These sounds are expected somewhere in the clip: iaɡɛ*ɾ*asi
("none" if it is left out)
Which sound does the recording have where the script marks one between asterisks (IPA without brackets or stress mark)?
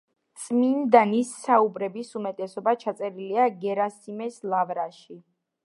ɾ